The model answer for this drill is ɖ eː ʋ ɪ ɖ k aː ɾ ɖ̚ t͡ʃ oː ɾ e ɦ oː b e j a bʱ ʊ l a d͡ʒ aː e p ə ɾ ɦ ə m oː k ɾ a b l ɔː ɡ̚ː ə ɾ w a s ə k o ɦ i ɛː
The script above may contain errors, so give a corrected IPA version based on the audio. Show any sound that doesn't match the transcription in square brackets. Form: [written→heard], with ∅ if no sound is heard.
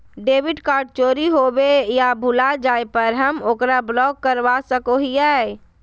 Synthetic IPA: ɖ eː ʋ ɪ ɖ k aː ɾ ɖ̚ t͡ʃ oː ɾ [e→i] ɦ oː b e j a bʱ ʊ l a d͡ʒ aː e p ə ɾ ɦ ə m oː k ɾ a b l ɔː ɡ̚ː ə ɾ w a s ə k o ɦ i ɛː